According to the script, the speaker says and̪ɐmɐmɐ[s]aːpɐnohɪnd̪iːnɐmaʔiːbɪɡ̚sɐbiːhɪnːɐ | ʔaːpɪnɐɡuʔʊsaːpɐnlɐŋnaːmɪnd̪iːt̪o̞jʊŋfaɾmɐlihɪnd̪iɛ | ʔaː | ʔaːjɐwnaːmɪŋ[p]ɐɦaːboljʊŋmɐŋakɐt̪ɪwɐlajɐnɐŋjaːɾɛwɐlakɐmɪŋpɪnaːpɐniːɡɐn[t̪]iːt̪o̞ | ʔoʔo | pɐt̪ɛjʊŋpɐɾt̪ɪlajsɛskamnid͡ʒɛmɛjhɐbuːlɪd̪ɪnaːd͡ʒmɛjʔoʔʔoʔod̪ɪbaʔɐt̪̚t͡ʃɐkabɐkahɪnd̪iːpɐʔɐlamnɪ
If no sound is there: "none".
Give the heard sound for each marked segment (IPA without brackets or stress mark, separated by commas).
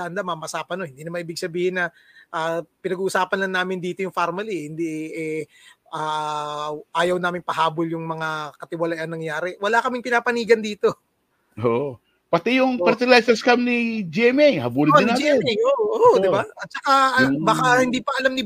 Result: s, p, d̪